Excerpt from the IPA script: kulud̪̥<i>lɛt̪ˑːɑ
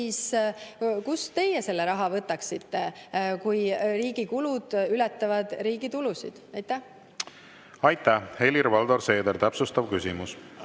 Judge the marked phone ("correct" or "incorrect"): incorrect